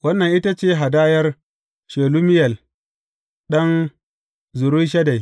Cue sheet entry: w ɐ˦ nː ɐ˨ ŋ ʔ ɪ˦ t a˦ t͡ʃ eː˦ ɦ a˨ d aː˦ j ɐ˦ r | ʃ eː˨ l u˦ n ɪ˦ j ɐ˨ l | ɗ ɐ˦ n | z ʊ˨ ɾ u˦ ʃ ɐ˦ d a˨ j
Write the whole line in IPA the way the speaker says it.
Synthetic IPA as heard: w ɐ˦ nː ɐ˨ ŋ ʔ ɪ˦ t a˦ t͡ʃ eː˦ ɦ a˨ d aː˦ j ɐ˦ r | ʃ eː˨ l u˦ m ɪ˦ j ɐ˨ l | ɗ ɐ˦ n | z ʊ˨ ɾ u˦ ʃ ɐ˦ d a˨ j